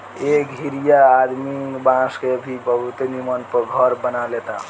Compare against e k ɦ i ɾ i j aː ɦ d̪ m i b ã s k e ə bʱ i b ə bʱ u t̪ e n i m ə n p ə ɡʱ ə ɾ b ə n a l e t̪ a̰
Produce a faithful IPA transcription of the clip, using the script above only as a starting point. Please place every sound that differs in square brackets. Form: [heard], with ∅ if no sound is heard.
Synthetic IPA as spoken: e k ɦ i ɾ i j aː [∅] d̪ m i b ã s k e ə bʱ i b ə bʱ u t̪ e n i m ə n p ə ɡʱ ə ɾ b ə n a l e t̪ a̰